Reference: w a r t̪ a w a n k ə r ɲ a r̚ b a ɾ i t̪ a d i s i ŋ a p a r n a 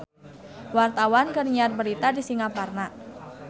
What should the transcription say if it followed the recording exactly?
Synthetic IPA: w a r t̪ a w a n k ə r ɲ a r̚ b ə ɾ i t̪ a d i s i ŋ a p a r n a